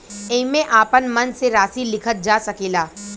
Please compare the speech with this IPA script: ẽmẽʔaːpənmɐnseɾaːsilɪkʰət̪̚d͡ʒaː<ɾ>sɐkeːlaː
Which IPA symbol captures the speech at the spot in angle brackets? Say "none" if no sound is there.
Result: none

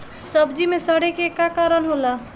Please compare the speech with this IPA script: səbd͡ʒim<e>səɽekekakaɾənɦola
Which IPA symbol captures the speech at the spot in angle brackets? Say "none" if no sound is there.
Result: e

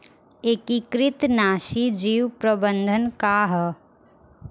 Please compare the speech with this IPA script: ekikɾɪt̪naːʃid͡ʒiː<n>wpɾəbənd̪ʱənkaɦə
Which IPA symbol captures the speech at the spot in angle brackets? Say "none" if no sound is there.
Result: none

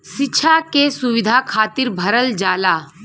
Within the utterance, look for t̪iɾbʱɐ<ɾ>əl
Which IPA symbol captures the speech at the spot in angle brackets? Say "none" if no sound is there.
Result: ɾ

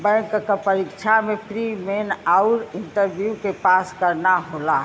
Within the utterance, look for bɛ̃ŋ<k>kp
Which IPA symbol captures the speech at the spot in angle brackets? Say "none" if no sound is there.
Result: k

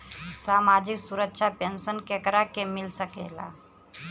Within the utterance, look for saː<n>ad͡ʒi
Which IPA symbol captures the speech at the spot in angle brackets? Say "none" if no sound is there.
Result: m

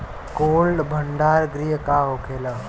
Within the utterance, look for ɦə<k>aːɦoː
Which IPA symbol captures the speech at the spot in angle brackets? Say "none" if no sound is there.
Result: k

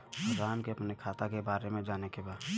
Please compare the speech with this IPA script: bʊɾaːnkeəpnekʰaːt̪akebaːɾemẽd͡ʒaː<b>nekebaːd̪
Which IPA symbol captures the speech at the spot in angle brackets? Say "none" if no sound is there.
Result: none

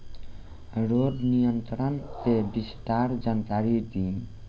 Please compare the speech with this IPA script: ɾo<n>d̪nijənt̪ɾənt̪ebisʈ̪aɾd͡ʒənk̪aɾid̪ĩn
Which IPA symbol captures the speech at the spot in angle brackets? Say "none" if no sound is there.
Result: none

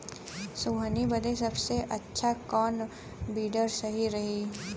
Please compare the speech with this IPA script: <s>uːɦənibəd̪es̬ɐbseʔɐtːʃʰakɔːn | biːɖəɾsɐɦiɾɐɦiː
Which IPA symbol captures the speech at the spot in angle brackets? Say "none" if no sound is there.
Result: s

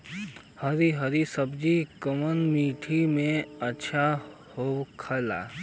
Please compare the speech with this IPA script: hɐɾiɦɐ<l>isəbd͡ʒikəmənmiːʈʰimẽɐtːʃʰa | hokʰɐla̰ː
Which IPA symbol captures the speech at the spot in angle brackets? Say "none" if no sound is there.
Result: ɾ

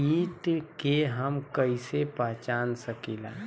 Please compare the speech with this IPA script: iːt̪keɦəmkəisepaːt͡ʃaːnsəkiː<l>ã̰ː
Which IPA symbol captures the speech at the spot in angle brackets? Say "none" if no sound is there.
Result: l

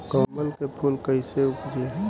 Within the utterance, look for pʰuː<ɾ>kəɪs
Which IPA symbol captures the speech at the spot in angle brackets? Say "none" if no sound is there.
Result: l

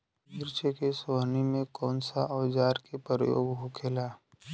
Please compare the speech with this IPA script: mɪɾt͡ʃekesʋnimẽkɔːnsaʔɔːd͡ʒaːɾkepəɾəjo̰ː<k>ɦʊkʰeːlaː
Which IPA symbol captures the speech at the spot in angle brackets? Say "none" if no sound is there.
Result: ɡ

